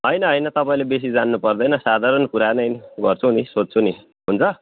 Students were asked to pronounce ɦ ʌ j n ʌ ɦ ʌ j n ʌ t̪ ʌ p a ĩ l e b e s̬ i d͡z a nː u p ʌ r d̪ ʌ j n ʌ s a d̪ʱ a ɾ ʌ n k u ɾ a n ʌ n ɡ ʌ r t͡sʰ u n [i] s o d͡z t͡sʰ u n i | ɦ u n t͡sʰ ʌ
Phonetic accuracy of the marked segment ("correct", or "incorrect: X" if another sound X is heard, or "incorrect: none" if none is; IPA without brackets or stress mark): correct